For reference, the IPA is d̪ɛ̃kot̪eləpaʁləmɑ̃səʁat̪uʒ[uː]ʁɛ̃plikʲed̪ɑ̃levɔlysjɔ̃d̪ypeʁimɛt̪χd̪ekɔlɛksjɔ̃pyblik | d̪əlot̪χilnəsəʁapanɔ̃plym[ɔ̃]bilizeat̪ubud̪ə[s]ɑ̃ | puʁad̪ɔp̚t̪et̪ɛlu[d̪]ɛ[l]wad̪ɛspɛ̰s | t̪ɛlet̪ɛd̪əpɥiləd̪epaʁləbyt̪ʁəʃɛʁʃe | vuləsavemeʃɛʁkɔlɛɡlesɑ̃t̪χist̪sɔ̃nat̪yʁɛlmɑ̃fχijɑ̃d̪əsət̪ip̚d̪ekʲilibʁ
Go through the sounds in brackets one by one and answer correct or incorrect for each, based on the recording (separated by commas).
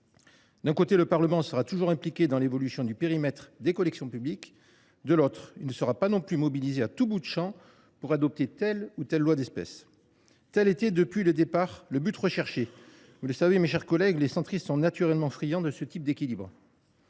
incorrect, incorrect, incorrect, incorrect, incorrect